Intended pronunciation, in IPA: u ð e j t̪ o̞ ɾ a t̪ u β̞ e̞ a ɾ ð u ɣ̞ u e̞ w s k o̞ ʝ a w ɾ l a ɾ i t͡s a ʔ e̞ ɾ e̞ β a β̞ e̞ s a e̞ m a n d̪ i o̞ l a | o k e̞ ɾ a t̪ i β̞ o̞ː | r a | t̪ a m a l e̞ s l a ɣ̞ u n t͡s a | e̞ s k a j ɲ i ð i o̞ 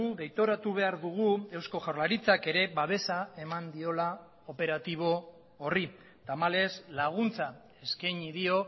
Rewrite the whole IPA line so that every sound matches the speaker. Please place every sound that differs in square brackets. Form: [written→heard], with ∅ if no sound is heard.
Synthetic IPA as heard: u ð e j t̪ o̞ ɾ a t̪ u β̞ e̞ a ɾ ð u ɣ̞ u e̞ w s k o̞ ʝ a w ɾ l a ɾ i t͡s a [ʔ→k] e̞ ɾ e̞ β a β̞ e̞ s a e̞ m a n d̪ i o̞ l a | o [k→p] e̞ ɾ a t̪ i β̞ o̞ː | r [a→i] | t̪ a m a l e̞ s l a ɣ̞ u n t͡s a | e̞ s k a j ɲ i ð i o̞